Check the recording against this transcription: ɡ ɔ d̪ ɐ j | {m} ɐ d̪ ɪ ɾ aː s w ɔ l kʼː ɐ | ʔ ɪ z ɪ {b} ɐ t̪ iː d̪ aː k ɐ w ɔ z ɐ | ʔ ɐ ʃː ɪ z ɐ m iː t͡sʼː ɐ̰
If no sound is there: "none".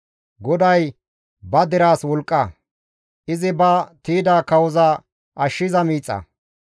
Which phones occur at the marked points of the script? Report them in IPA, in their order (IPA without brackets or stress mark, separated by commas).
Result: b, b